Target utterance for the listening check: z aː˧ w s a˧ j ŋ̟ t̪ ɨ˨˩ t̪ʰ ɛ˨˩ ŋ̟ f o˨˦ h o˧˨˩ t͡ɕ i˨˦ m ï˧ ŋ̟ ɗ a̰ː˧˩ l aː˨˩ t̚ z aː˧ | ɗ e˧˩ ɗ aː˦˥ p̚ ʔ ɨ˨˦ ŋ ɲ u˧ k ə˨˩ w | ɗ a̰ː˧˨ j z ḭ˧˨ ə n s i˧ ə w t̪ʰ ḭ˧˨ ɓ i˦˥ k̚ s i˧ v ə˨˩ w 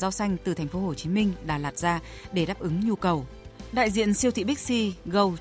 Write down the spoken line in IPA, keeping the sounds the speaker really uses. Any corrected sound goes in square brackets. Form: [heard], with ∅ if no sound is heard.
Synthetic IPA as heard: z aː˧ w s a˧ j ŋ̟ t̪ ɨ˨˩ t̪ʰ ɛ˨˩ ŋ̟ f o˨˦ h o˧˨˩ t͡ɕ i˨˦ m ï˧ ŋ̟ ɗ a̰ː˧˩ l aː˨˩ t̚ z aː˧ | ɗ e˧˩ ɗ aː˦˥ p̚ ʔ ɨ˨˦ ŋ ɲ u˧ k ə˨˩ w | ɗ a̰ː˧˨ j z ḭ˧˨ ə n s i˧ ə w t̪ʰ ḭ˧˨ ɓ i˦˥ k̚ s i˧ [ɣ] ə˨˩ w